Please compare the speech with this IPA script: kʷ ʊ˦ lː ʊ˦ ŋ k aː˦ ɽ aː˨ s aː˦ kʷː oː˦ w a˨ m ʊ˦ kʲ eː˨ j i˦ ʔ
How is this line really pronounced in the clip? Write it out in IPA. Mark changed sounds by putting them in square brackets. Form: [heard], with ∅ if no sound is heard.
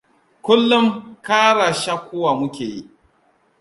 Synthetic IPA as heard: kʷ ʊ˦ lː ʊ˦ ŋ k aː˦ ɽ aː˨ [ʃ] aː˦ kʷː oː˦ w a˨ m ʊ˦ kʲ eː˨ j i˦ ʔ